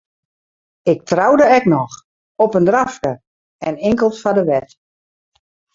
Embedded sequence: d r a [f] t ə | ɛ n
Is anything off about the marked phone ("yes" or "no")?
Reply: no